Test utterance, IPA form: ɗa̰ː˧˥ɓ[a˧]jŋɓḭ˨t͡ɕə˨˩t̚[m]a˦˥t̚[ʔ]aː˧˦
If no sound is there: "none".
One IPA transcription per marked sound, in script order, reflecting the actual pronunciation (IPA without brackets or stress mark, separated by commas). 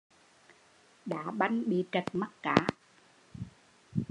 a˧, m, k